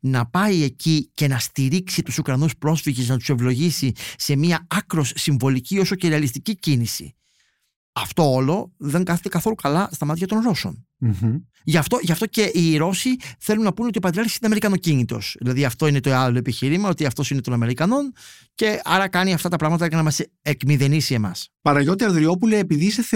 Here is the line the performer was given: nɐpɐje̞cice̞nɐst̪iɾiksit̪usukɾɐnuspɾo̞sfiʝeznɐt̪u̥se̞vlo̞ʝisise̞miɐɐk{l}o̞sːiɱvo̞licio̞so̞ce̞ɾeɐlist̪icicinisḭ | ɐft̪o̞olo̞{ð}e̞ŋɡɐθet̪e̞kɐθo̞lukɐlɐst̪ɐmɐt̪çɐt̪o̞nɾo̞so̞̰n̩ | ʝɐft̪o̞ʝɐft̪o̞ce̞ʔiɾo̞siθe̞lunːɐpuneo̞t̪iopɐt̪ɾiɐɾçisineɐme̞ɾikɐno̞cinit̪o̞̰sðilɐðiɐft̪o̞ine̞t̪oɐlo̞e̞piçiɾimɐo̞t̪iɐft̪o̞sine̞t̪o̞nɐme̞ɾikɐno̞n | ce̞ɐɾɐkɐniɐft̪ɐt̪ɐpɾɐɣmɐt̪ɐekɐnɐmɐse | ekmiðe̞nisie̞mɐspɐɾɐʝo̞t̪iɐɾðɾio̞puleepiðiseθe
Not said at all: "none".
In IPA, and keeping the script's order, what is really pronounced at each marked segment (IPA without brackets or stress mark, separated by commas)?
ɾ, ð